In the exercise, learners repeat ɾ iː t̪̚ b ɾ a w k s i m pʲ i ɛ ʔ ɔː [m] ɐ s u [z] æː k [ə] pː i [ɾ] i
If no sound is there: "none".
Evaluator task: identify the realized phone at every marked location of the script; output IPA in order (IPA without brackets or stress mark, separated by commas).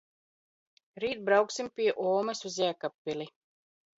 m, z, a, l